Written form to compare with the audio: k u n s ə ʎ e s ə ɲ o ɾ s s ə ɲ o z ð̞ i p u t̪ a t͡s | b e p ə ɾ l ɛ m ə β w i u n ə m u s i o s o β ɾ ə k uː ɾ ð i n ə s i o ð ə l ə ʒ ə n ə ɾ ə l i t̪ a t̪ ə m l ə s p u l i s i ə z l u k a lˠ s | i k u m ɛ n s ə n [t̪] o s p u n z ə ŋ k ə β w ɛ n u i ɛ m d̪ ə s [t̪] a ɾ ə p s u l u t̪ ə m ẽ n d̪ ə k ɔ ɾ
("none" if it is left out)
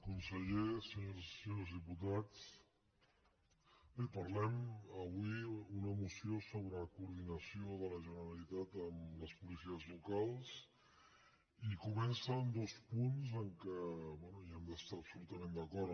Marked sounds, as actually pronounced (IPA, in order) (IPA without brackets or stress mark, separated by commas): d̪, t̪